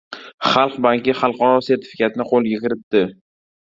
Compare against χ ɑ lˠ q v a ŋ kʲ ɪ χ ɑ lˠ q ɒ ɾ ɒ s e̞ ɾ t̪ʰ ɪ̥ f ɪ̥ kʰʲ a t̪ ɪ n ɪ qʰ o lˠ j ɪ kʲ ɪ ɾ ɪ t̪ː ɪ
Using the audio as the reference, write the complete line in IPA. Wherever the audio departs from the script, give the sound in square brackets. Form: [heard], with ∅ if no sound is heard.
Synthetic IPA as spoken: χ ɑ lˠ q [b] a ŋ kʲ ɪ χ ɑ lˠ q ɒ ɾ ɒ s e̞ ɾ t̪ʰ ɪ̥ f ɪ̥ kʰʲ a t̪ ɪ n ɪ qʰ o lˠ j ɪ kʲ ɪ ɾ ɪ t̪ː ɪ